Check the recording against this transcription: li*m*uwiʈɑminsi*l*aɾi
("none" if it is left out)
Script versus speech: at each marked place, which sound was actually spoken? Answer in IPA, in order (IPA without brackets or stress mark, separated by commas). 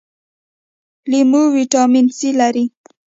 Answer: m, l